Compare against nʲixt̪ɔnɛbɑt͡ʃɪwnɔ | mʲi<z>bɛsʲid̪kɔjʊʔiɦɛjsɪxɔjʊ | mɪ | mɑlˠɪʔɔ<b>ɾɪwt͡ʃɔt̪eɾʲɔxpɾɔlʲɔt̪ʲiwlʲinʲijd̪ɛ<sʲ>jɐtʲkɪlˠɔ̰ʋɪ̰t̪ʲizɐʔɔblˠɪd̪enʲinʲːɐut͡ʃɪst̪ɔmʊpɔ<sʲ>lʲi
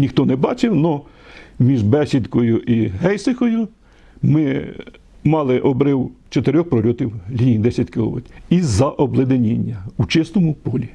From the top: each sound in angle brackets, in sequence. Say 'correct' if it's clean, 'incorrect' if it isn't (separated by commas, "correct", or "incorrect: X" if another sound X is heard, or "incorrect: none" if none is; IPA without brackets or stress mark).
incorrect: ʒ, correct, correct, incorrect: none